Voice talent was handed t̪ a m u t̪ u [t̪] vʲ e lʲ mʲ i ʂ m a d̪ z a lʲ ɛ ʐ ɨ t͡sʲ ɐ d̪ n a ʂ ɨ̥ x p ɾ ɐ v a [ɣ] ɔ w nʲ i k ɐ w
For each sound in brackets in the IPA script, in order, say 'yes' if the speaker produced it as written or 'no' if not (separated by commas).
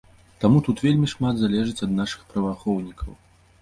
yes, no